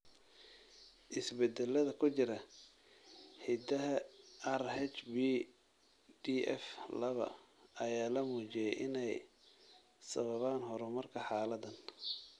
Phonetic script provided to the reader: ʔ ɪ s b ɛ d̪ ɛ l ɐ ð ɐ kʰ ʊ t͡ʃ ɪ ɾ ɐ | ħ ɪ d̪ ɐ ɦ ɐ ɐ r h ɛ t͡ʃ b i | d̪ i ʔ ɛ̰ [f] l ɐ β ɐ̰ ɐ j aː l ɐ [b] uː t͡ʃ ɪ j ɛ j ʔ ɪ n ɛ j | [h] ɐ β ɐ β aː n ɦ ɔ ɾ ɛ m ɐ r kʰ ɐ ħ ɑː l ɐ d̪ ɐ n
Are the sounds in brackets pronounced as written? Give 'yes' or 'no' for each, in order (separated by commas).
yes, no, no